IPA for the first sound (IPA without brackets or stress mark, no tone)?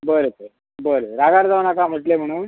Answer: b